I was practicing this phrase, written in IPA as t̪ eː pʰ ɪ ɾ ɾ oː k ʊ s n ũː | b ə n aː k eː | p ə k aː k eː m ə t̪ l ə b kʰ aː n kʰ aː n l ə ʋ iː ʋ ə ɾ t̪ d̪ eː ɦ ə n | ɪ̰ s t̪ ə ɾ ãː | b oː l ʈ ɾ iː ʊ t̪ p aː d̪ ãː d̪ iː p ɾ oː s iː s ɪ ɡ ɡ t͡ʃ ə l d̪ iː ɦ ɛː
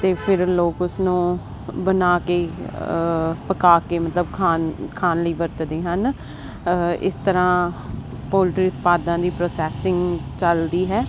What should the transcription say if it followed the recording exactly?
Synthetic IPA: t̪ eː pʰ ɪ ɾ l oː k ʊ s n ũː | b ə n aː k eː | p ə k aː k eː m ə t̪ l ə b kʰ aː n kʰ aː n l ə iː ʋ ə ɾ t̪ d̪ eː ɦ ə n | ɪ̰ s t̪ ə ɾ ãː | p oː l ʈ ɾ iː ʊ t̪ p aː d̪ ãː d̪ iː p ɾ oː s ɛː s ɪ ŋ ɡ t͡ʃ ə l d̪ iː ɦ ɛː

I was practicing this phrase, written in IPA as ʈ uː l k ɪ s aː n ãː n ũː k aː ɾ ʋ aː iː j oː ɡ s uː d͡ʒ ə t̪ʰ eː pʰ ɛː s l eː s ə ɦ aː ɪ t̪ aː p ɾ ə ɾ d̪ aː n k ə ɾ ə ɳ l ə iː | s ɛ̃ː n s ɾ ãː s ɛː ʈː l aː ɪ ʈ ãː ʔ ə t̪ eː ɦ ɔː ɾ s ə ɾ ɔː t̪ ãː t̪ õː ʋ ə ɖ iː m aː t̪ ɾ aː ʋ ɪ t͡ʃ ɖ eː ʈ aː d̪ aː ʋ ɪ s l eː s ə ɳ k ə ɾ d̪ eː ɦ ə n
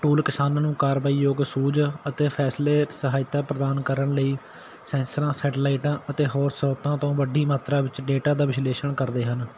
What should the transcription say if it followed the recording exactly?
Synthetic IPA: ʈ uː l k ɪ s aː n ãː n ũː k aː ɾ ʋ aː iː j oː ɡ s uː d͡ʒ ə t̪ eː pʰ ɛː s l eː s ə ɦ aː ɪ t̪ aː p ɾ ə d̪ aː n k ə ɾ ə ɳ l ə iː | s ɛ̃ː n s ɾ ãː s ɛː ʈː l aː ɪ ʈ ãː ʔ ə t̪ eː ɦ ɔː ɾ s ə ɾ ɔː t̪ ãː t̪ õː ʋ ə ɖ iː m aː t̪ ɾ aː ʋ ɪ t͡ʃ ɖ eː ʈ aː d̪ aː ʋ ɪ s l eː ʃ ə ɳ k ə ɾ d̪ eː ɦ ə n

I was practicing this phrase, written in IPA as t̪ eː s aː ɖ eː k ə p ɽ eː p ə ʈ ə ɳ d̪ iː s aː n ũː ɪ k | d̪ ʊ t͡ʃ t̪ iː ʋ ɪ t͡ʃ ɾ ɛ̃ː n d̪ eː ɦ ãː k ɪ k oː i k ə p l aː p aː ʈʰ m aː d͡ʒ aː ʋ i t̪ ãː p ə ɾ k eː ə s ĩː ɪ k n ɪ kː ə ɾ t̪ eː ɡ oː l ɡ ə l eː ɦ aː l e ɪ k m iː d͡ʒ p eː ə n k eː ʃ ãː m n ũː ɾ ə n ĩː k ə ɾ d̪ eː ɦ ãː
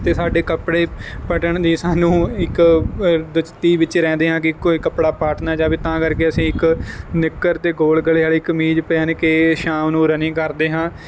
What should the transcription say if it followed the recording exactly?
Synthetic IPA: t̪ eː s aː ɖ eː k ə p ɽ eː p ə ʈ ə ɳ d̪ iː s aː n ũː ɪ k | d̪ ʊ t͡ʃ t̪ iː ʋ ɪ t͡ʃ ɾ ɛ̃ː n d̪ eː ɦ ãː k ɪ k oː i k ə p ɽ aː p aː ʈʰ n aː d͡ʒ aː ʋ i t̪ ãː k ə ɾ k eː ə s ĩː ɪ k n ɪ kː ə ɾ t̪ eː ɡ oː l ɡ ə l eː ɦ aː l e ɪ k m iː d͡ʒ p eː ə n k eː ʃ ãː m n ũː ɾ ə n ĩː k ə ɾ d̪ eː ɦ ãː

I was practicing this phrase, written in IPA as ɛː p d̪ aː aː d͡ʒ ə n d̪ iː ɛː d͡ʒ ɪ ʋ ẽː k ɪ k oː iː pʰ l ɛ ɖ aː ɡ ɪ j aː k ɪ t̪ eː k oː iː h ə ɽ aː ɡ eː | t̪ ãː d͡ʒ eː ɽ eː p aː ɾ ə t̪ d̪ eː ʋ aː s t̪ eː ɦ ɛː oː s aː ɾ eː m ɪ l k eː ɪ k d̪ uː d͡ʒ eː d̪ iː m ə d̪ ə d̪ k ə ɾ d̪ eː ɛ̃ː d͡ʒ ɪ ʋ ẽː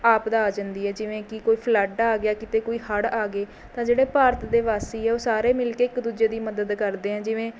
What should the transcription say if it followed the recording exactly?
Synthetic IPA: aː p d̪ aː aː d͡ʒ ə n d̪ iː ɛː d͡ʒ ɪ ʋ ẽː k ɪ k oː iː pʰ l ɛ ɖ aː ɡ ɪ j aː k ɪ t̪ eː k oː iː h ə ɽ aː ɡ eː | t̪ ãː d͡ʒ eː ɽ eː p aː ɾ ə t̪ d̪ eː ʋ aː s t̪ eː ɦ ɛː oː s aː ɾ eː m ɪ l k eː ɪ k d̪ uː d͡ʒ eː d̪ iː m ə d̪ ə d̪ k ə ɾ d̪ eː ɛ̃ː d͡ʒ ɪ ʋ ẽː

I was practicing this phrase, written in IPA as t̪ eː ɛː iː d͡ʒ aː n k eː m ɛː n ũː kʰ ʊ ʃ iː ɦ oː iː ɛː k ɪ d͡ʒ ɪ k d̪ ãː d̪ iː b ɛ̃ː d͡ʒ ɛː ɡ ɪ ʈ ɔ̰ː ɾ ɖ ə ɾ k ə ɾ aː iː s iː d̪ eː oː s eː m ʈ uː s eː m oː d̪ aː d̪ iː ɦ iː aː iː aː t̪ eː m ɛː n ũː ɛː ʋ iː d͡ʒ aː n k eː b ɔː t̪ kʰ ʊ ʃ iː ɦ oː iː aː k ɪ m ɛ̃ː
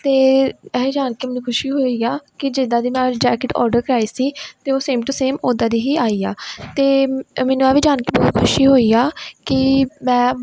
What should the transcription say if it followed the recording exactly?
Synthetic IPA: t̪ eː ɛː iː d͡ʒ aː n k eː m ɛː n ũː kʰ ʊ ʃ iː ɦ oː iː aː k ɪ d͡ʒ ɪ d̪ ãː d̪ iː m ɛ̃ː d͡ʒ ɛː k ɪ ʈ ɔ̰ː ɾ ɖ ə ɾ k ə ɾ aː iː s iː t̪ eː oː s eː m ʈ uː s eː m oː d̪ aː d̪ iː ɦ iː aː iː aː t̪ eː m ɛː n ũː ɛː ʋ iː d͡ʒ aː n k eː b ɔː t̪ kʰ ʊ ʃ iː ɦ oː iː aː k ɪ m ɛ̃ː

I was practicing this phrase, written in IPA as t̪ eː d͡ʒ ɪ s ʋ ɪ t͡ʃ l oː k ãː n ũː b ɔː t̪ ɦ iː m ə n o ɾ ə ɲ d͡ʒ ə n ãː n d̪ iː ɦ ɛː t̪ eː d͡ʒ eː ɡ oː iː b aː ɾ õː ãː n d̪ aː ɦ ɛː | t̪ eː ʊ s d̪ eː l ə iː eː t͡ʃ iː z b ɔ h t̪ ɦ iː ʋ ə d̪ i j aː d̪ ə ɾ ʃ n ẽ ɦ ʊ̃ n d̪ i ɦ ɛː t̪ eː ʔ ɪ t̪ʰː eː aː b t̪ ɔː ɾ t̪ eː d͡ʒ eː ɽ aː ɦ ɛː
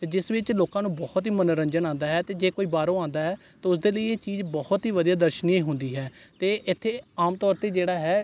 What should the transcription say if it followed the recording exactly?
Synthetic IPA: t̪ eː d͡ʒ ɪ s ʋ ɪ t͡ʃ l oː k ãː n ũː b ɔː t̪ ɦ iː m ə n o ɾ ə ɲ d͡ʒ ə n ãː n d̪ aː ɦ ɛː t̪ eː d͡ʒ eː k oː iː b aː ɾ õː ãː n d̪ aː ɦ ɛː | t̪ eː ʊ s d̪ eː l ə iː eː t͡ʃ iː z b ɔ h t̪ ɦ iː ʋ ə d̪ i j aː d̪ ə ɾ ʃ n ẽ ɦ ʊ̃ n d̪ iː ɦ ɛː t̪ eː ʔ ɪ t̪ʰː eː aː m t̪ ɔː ɾ t̪ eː d͡ʒ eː ɽ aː ɦ ɛː

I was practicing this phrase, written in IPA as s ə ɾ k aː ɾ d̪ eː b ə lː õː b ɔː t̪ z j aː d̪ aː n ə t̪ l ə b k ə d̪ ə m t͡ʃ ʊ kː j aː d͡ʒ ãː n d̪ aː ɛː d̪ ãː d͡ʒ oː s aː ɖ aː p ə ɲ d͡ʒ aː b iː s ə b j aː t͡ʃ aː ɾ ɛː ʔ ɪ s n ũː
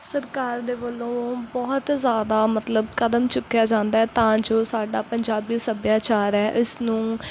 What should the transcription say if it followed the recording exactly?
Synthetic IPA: s ə ɾ k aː ɾ d̪ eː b ə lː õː b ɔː t̪ z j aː d̪ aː m ə t̪ l ə b k ə d̪ ə m t͡ʃ ʊ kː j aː d͡ʒ ãː n d̪ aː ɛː t̪ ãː d͡ʒ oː s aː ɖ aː p ə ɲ d͡ʒ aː b iː s ə b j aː t͡ʃ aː ɾ ɛː ʔ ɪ s n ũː

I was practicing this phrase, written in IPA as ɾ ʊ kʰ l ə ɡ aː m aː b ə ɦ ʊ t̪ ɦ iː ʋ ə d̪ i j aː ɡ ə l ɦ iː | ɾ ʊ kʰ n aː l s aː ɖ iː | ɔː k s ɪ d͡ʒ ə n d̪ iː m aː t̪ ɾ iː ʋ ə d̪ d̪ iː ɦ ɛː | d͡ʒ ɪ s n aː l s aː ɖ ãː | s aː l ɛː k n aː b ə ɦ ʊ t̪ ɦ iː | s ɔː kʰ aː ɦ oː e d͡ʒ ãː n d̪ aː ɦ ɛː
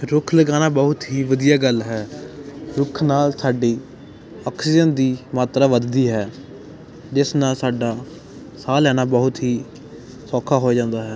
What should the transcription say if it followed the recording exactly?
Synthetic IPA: ɾ ʊ kʰ l ə ɡ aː n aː b ə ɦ ʊ t̪ ɦ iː ʋ ə d̪ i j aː ɡ ə l ɦ ɛː | ɾ ʊ kʰ n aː l s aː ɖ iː | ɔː k s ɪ d͡ʒ ə n d̪ iː m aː t̪ ɾ aː ʋ ə d̪ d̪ iː ɦ ɛː | d͡ʒ ɪ s n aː l s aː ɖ aː | s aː l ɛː n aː b ə ɦ ʊ t̪ ɦ iː | s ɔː kʰ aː ɦ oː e d͡ʒ ãː n d̪ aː ɦ ɛː

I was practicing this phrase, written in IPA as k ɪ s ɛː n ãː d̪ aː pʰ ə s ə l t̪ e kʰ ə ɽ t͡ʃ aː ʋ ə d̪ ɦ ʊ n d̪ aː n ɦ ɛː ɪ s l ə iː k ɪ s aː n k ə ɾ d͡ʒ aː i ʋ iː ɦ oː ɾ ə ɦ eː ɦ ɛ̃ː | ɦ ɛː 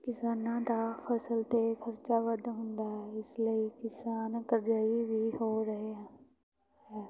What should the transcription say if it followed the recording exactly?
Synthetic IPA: k ɪ s aː n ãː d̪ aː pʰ ə s ə l t̪ e kʰ ə ɾ t͡ʃ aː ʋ ə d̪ ɦ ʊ n d̪ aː ɦ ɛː ɪ s l ə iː k ɪ s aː n k ə ɾ d͡ʒ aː i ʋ iː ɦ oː ɾ ə ɦ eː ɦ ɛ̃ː | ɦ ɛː

